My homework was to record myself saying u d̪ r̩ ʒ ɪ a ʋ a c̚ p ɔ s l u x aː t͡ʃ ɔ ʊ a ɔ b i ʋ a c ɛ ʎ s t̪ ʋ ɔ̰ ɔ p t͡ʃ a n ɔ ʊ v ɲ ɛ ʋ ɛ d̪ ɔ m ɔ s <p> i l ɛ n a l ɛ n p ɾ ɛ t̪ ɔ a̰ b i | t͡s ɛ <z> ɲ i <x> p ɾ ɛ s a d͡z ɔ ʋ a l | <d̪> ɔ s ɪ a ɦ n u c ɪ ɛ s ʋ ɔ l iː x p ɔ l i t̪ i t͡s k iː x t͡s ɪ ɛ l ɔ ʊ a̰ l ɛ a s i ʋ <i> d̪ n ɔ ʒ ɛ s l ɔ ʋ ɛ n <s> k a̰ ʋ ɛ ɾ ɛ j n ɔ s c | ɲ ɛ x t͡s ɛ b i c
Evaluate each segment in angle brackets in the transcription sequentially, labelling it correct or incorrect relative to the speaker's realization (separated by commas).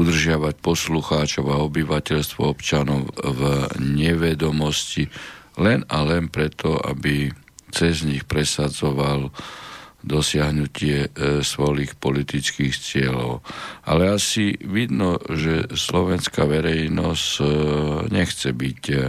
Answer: incorrect, correct, correct, correct, correct, correct